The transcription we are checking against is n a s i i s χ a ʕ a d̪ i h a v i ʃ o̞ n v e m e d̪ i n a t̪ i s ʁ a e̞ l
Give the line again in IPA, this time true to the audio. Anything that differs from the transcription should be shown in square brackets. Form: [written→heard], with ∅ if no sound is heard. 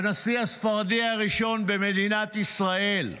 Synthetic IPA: n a s i [i→a] s [χ→f] a [ʕ→ʁ] a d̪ i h a [v→ʁ] i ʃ o̞ n [v→b] e m e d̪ i n a t̪ i s ʁ a e̞ l